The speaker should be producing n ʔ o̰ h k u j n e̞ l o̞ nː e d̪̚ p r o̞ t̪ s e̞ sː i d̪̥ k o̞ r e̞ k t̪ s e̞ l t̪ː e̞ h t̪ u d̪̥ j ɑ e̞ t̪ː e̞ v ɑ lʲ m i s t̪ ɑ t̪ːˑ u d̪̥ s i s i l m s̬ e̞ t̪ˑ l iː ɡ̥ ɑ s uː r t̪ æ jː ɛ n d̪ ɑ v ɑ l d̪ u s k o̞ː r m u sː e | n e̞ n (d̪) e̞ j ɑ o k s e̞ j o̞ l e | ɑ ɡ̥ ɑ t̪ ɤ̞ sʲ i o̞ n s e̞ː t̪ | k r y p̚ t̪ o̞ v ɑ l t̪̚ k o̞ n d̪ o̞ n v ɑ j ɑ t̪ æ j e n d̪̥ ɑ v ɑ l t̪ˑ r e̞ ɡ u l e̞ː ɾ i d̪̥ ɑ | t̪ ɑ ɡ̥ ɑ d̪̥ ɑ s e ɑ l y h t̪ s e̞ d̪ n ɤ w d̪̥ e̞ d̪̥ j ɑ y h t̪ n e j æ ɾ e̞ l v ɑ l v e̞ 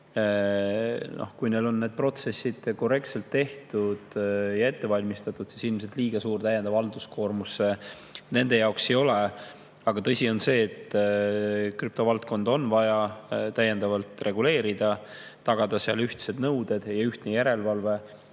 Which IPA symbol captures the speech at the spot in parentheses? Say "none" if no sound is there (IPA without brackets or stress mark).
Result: d̪